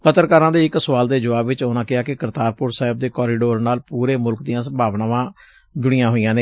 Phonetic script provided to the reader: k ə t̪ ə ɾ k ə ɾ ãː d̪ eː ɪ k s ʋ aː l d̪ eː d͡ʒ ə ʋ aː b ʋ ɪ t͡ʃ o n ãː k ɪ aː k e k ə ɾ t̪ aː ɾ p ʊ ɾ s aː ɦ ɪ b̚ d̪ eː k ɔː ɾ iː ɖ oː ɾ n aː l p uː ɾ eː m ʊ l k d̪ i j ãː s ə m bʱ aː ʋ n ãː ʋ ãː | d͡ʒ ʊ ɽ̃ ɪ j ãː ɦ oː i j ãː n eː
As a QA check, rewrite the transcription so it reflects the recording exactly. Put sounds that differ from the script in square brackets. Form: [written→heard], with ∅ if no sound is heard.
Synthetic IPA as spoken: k ə t̪ ə ɾ k ə ɾ ãː d̪ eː ɪ k s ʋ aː l d̪ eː d͡ʒ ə ʋ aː b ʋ ɪ t͡ʃ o n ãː k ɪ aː k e k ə ɾ t̪ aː ɾ p ʊ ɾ s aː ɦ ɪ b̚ d̪ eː k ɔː ɾ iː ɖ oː ɾ n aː l p uː ɾ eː m ʊ l k d̪ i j ãː s ə m bʱ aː ʋ n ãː ʋ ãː | d͡ʒ ʊ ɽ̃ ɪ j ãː ɦ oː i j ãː n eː